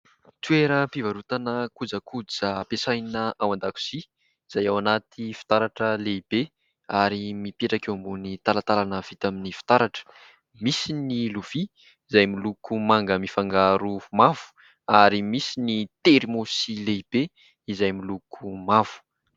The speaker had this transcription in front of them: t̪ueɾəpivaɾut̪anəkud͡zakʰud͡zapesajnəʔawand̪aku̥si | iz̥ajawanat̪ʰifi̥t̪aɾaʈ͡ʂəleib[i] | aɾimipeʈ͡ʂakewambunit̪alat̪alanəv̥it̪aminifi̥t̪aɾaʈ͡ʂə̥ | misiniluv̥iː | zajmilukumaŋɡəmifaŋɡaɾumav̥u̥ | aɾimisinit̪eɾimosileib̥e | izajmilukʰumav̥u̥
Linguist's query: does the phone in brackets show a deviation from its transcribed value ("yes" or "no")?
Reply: yes